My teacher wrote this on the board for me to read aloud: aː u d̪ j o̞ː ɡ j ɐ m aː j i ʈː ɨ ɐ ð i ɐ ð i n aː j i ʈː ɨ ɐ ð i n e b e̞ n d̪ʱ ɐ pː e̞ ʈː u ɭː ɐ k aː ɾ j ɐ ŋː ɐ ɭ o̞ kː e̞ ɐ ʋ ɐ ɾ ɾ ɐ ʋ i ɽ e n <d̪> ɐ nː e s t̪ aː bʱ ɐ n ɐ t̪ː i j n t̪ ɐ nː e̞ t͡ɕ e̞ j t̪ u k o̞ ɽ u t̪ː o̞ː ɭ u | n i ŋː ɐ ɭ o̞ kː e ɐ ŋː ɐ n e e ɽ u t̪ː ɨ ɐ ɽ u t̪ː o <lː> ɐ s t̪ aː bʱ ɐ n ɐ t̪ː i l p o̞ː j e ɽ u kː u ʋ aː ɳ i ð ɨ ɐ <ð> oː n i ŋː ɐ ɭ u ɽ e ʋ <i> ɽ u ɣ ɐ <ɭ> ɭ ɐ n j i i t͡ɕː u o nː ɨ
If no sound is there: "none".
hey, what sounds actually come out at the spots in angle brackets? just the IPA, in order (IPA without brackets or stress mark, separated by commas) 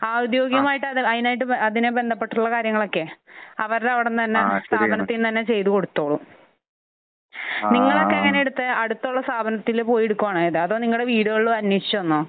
t̪, ɭː, ð, iː, ɭ